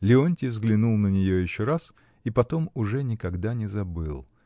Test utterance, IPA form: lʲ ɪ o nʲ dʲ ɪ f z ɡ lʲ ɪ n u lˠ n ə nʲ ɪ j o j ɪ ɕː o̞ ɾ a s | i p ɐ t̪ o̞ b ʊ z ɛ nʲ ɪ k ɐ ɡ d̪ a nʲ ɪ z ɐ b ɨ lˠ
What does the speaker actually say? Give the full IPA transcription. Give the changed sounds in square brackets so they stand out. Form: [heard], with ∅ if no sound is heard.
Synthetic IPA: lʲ ɪ o nʲ [tʲ] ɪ [v] z ɡ lʲ ɪ n u lˠ n ə nʲ ɪ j o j ɪ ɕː o̞ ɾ a s | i p ɐ t̪ o̞ [m] ʊ [ʐ] ɛ nʲ ɪ k ɐ ɡ d̪ a nʲ ɪ z ɐ b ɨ lˠ

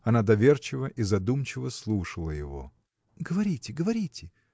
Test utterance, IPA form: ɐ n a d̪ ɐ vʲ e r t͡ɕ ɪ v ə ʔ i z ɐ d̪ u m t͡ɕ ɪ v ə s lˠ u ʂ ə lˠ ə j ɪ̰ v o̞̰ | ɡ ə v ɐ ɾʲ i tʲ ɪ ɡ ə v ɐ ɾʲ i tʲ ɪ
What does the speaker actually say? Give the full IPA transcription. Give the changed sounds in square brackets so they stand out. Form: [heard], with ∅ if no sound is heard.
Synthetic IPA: ɐ n a d̪ ɐ vʲ e r t͡ɕ ɪ v ə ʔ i z ɐ d̪ u m t͡ɕ ɪ v ə s lˠ u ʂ ə lˠ ə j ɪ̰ v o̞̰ | ɡ ə v ɐ ɾʲ i tʲ ɪ ɡ ə v ɐ ɾʲ i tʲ ɪ

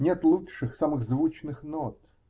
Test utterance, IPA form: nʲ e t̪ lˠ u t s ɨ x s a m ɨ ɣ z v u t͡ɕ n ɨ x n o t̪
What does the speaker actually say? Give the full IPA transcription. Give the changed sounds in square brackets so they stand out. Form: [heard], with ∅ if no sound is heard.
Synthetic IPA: nʲ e t̪ lˠ u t [ʂ] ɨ x s a m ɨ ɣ z v u t͡ɕ n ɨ x n o t̪

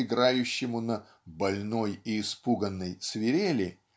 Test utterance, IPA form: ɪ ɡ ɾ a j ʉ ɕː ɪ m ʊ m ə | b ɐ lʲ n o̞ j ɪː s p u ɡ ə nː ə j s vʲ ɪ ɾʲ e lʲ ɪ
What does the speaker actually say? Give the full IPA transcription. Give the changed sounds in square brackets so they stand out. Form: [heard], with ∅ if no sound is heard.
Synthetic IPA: ɪ ɡ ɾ a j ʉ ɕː ɪ m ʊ [n] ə | b ɐ lʲ n o̞ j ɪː s p u ɡ ə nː ə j s vʲ ɪ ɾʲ e lʲ ɪ

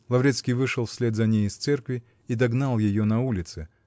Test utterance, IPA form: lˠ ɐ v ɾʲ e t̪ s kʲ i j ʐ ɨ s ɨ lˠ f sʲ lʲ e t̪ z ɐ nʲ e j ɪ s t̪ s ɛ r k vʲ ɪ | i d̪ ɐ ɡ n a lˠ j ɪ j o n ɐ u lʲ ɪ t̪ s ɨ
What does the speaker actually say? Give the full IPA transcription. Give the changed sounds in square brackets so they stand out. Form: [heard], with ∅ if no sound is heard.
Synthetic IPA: lˠ ɐ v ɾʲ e t̪ s kʲ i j [v] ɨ [ʂ] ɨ lˠ f sʲ lʲ e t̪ z ɐ nʲ e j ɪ s t̪ s ɛ r k vʲ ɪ | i d̪ ɐ ɡ n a lˠ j ɪ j o n ɐ u lʲ ɪ t̪ s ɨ

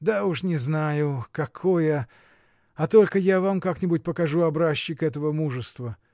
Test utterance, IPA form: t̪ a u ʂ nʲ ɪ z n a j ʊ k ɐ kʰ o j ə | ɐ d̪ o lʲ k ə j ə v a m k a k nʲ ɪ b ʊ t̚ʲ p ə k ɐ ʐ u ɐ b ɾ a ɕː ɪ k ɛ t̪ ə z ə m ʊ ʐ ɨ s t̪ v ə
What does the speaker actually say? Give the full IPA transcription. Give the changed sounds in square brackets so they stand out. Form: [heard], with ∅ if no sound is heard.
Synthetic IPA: [d̪] a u ʂ nʲ ɪ z n a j ʊ k ɐ kʰ o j ə | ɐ [t̪] o lʲ k ə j [a] v a m k a k nʲ ɪ b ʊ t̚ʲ p ə k ɐ ʐ u ɐ b ɾ a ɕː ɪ k ɛ t̪ ə [v] ə m [u] ʐ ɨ s t̪ v ə

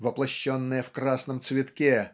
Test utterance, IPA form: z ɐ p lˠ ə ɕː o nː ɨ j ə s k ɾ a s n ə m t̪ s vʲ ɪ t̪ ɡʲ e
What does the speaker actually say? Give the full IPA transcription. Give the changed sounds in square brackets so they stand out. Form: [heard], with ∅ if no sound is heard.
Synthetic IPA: [v] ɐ p lˠ [ɐ] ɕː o nː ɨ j ə [f] k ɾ a s n ə m t̪ s vʲ ɪ t̪ [kʲ] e

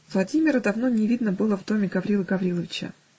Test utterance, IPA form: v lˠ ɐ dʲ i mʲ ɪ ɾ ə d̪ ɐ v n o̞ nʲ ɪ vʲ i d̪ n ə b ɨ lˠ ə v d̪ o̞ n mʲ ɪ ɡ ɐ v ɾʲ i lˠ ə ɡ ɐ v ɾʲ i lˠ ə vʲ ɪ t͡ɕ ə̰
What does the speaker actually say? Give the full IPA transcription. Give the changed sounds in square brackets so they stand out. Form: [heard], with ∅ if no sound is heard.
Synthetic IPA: v lˠ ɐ dʲ i mʲ ɪ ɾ ə d̪ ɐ v n o̞ nʲ ɪ vʲ i d̪ n ə b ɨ lˠ ə v d̪ o̞ [∅] mʲ ɪ ɡ ɐ v ɾʲ i lˠ ə ɡ ɐ v ɾʲ i lˠ ə vʲ ɪ t͡ɕ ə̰

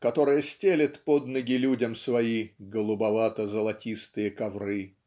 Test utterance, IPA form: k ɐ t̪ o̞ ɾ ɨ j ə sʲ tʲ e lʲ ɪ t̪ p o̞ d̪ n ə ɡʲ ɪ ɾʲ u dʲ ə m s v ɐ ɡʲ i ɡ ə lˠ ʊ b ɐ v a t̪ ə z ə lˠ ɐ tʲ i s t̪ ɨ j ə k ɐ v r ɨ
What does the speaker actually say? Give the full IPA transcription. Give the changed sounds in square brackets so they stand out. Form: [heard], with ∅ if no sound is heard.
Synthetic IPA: k ɐ t̪ o̞ ɾ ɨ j ə sʲ tʲ e lʲ ɪ t̪ p o̞ d̪ n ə ɡʲ ɪ [lʲ] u dʲ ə m s v ɐ [∅] i ɡ ə lˠ ʊ b ɐ v a t̪ ə z ə lˠ ɐ tʲ i s t̪ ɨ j ə k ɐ v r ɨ

